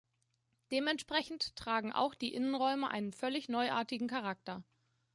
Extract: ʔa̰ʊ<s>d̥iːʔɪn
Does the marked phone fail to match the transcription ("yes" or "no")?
yes